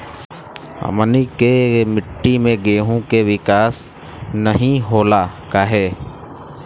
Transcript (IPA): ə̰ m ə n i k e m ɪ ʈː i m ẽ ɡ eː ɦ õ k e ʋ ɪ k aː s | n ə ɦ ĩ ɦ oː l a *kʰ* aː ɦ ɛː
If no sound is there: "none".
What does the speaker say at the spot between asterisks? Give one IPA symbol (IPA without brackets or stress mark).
k